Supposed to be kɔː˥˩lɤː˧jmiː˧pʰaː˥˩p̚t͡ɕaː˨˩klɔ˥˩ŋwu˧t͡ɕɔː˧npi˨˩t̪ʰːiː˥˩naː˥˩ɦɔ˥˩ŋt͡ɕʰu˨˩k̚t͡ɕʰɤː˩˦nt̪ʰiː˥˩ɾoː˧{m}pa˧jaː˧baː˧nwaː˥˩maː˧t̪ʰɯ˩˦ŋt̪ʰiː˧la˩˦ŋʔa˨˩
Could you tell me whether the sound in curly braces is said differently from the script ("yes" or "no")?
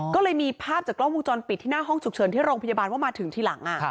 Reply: yes